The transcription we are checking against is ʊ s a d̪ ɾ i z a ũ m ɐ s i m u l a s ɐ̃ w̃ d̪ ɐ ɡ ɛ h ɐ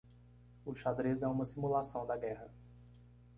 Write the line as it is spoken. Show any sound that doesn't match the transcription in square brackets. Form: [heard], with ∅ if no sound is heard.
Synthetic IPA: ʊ [ʃ] a d̪ ɾ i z [ɛ] ũ m ɐ s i m u l a s ɐ̃ w̃ d̪ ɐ ɡ ɛ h ɐ